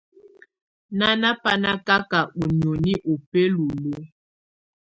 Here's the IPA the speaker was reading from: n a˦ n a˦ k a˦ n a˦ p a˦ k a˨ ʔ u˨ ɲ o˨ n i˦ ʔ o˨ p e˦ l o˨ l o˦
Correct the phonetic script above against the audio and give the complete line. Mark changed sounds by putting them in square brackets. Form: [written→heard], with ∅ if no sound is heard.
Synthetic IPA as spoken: n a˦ n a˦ [k→p] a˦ n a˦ [p→k] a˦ k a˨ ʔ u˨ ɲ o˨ n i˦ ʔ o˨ p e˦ l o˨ l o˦